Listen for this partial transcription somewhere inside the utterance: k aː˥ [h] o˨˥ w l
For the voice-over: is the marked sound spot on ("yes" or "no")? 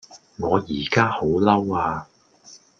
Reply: yes